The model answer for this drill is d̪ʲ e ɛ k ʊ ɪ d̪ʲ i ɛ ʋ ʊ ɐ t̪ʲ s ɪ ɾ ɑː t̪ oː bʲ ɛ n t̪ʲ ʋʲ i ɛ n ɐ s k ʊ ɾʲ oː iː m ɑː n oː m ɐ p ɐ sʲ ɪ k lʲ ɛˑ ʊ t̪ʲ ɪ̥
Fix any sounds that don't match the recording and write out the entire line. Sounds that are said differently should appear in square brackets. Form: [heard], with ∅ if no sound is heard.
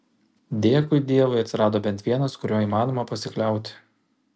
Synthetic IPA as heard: d̪ʲ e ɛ k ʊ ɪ d̪ʲ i ɛ ʋ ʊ ɐ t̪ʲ s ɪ ɾ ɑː [d̪] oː bʲ ɛ n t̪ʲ ʋʲ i ɛ n ɐ s k ʊ ɾʲ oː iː m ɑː n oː m ɐ p ɐ sʲ ɪ k lʲ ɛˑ ʊ t̪ʲ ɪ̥